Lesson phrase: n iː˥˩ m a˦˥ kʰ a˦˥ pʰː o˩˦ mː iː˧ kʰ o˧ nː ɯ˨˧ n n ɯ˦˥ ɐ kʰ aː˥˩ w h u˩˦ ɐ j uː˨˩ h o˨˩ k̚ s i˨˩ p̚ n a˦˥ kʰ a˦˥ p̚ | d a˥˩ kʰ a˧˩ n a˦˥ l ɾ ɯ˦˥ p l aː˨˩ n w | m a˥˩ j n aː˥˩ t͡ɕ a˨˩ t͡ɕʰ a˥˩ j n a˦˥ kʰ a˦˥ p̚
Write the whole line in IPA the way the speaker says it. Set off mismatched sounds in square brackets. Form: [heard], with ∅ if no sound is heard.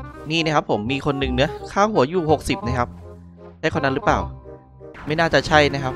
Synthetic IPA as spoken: n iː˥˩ [n] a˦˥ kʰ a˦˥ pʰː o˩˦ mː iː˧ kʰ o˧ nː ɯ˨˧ [ŋ] n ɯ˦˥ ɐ kʰ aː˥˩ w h u˩˦ ɐ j uː˨˩ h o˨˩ k̚ s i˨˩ p̚ n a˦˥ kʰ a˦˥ p̚ | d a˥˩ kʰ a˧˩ n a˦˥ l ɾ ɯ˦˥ p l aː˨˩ [∅] w | m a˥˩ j n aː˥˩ t͡ɕ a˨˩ t͡ɕʰ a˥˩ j n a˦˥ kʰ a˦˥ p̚